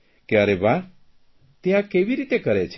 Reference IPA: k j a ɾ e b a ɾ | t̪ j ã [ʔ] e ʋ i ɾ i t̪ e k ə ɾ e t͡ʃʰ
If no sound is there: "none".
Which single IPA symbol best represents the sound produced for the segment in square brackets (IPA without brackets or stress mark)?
k